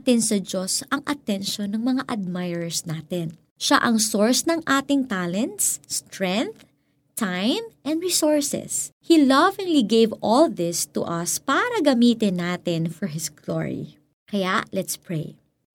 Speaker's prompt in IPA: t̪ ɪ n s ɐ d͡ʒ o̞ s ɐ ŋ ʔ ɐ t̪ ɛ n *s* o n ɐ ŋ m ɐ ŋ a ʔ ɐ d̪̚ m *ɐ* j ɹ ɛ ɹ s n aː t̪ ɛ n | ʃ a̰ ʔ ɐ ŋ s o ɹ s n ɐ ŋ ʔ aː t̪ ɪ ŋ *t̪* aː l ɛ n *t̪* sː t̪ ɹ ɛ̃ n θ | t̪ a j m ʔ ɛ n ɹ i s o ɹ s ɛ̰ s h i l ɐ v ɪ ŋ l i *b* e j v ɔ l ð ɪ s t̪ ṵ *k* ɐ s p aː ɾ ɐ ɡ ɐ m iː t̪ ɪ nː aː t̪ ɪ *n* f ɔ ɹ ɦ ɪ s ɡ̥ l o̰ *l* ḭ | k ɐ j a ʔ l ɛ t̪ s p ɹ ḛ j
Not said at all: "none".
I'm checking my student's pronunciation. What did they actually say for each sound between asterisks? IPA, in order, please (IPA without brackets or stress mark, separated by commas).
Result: ʃ, a, t̪, t̪, ɡ, ʔ, n, ɹ